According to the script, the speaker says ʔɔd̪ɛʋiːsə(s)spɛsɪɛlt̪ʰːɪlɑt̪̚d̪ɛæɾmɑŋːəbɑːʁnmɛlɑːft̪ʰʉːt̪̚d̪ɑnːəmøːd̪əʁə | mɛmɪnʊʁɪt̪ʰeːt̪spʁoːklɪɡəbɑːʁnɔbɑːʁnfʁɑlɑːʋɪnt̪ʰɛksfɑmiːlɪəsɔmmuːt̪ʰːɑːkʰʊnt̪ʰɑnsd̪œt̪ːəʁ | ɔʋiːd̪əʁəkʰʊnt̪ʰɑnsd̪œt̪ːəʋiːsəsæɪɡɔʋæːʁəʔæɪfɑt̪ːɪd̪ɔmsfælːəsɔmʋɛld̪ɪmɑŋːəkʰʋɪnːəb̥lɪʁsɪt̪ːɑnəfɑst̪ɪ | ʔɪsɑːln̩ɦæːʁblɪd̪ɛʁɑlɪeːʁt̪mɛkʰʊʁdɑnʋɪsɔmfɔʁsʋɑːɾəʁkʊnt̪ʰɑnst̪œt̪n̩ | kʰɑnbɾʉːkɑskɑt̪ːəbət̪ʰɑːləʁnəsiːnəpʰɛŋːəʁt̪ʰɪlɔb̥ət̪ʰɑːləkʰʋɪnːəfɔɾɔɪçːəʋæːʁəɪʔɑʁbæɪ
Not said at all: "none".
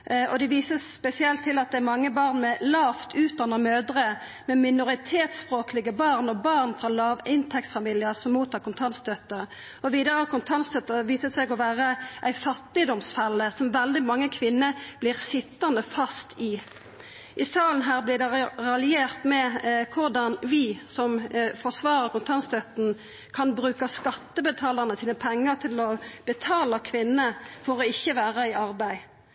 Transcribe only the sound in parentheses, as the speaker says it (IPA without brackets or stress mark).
s